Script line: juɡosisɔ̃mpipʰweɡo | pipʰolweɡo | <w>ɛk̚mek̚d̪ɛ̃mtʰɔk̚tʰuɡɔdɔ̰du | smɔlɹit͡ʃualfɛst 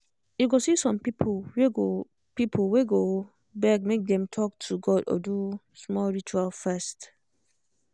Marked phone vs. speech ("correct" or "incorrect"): incorrect